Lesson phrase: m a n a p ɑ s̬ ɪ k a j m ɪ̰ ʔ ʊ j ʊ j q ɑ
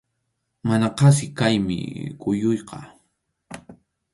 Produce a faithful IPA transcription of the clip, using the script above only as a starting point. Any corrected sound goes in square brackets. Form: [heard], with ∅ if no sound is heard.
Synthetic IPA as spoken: m a n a [q] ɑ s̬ ɪ k a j m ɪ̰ [k] ʊ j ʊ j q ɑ